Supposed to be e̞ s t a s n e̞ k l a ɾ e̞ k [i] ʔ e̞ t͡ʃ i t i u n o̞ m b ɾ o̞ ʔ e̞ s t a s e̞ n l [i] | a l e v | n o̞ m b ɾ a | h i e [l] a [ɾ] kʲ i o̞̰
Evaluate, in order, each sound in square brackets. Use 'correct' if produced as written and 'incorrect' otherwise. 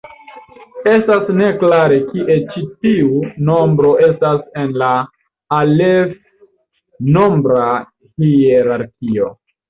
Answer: correct, incorrect: a, incorrect: ɾ, correct

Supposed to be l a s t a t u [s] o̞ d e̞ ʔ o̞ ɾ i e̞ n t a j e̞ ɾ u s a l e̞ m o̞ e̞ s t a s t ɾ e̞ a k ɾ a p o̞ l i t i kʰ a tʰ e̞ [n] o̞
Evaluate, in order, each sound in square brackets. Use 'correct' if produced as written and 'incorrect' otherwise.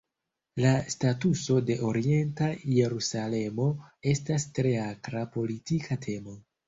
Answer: correct, incorrect: m

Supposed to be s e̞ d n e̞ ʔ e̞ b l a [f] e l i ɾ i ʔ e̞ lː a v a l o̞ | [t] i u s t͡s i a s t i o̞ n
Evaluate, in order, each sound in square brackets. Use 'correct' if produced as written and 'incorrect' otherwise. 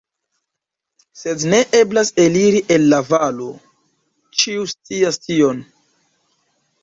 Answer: incorrect: s, incorrect: t͡ʃ

